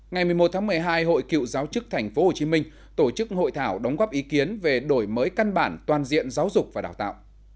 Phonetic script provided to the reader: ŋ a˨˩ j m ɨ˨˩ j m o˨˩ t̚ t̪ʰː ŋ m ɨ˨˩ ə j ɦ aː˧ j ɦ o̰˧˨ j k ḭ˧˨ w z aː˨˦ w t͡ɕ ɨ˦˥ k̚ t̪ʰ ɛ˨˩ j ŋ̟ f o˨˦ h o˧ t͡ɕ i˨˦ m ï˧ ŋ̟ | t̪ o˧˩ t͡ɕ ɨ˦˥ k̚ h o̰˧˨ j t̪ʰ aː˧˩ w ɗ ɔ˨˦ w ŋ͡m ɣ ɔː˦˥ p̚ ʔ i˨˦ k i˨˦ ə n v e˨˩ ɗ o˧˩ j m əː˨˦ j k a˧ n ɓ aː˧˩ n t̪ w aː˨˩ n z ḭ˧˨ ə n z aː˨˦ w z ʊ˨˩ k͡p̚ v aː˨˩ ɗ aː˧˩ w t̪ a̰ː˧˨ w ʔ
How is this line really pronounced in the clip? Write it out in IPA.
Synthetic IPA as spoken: ŋ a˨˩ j m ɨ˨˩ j m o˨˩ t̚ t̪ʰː ŋ m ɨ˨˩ ə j ɦ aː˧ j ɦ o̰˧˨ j k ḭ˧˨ w z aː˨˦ w t͡ɕ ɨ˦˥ k̚ t̪ʰ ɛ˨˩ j ŋ̟ f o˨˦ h o˨˩ t͡ɕ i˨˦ m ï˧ ŋ̟ | t̪ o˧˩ t͡ɕ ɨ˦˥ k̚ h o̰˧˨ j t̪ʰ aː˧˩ w ɗ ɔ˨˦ w ŋ͡m ɣ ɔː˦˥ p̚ ʔ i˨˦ k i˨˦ ə n v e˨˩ ɗ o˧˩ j m əː˨˦ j k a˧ n ɓ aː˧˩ n t̪ w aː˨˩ n z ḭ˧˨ ə n z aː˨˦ w z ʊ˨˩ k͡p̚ v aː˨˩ ɗ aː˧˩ w t̪ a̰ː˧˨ w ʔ

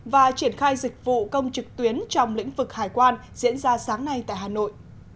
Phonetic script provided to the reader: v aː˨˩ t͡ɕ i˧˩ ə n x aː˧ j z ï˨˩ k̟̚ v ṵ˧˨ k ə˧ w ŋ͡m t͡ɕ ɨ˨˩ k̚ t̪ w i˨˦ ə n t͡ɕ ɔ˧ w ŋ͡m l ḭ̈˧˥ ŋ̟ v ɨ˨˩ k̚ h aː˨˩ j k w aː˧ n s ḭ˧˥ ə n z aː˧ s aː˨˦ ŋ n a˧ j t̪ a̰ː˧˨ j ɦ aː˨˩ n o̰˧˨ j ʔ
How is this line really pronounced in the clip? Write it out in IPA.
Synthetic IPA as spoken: v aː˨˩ t͡ɕ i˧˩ ə n x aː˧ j z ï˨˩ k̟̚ v ṵ˧˨ k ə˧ w ŋ͡m t͡ɕ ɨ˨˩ k̚ t̪ w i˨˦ ə n t͡ɕ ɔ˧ w ŋ͡m l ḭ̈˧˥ ŋ̟ v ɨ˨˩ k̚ h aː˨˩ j k w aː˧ n z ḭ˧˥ ə n z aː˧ s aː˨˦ ŋ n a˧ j t̪ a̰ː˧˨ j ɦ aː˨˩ n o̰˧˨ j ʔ

